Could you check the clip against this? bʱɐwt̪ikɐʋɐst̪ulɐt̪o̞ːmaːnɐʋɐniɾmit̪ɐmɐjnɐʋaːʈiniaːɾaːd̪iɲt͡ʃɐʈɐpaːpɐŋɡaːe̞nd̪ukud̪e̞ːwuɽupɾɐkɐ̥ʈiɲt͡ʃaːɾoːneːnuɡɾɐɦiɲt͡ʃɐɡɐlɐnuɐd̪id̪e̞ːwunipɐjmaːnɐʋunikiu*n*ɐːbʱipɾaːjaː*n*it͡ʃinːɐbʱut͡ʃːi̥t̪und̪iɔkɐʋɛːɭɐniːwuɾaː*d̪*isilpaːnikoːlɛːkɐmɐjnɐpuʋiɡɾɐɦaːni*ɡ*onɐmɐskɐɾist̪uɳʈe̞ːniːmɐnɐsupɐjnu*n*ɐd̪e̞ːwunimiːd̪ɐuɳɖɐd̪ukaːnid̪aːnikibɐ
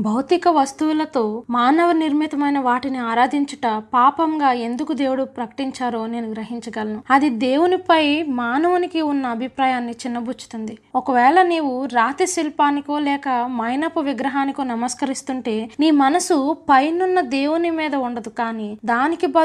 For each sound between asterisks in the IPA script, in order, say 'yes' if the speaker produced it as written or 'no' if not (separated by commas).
no, no, no, no, no